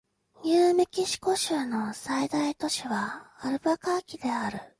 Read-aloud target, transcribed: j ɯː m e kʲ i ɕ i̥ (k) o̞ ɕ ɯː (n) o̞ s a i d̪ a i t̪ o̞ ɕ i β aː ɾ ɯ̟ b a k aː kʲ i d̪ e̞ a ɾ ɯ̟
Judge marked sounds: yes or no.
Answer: yes, yes

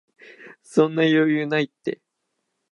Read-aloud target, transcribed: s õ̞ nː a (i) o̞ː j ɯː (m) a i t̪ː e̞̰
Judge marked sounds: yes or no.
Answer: no, no

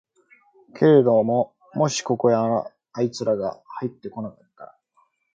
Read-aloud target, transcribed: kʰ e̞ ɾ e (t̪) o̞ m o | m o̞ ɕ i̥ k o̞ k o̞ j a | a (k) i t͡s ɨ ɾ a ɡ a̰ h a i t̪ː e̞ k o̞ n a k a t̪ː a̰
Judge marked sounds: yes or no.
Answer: no, no

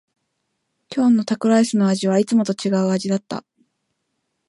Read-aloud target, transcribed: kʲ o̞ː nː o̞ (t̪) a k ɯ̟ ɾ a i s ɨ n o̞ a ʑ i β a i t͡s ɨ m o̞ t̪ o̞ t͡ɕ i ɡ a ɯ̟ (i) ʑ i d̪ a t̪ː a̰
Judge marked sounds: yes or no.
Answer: yes, no

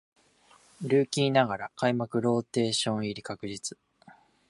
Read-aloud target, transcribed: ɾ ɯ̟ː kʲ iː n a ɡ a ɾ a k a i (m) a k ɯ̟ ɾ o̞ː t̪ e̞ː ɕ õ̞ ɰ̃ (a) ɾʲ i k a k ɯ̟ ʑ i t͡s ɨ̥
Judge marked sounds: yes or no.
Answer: yes, no

